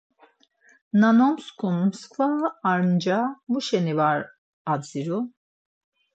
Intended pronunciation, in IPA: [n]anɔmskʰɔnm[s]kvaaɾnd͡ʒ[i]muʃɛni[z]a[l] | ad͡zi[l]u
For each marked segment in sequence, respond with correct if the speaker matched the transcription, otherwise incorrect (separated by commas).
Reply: correct, correct, incorrect, incorrect, incorrect, incorrect